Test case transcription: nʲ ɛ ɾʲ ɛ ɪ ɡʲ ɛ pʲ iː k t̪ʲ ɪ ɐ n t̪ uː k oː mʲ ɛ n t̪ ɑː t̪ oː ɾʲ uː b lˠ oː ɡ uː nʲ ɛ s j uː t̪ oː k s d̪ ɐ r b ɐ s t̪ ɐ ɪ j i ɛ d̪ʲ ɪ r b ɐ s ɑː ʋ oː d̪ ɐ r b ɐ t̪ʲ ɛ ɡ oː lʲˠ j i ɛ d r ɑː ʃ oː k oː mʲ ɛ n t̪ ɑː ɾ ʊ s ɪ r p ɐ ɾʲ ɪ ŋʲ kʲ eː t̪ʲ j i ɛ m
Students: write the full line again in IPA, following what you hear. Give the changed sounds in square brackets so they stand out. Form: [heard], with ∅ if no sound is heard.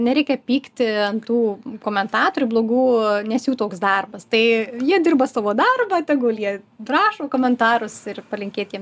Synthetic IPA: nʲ ɛ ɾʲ ɛ ɪ [kʲ] ɛ pʲ iː k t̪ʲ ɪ ɐ n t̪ uː k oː mʲ ɛ n t̪ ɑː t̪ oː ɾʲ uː b lˠ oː ɡ uː nʲ ɛ s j uː t̪ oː k s d̪ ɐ r b ɐ s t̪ ɐ ɪ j i ɛ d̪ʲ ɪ r b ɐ s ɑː ʋ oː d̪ ɐ r b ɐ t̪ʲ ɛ ɡ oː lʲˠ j i ɛ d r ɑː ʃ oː k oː mʲ ɛ n t̪ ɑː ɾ ʊ s ɪ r p ɐ [lʲ] ɪ ŋʲ kʲ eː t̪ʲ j i ɛ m